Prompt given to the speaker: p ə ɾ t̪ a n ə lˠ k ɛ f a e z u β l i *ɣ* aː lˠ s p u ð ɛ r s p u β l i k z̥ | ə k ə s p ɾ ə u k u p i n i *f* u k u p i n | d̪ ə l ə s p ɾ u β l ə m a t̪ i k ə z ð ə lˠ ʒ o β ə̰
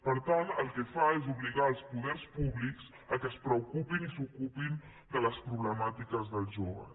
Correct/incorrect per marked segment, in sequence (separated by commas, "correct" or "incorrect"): correct, incorrect